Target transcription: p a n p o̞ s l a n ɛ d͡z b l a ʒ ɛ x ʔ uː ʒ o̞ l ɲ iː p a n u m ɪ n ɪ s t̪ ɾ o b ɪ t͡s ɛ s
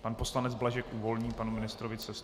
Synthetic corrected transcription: p a n p o̞ s l a n ɛ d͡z b l a ʒ ɛ k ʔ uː v o̞ l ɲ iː p a n u m ɪ n ɪ s t̪ ɾ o v ɪ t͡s ɛ s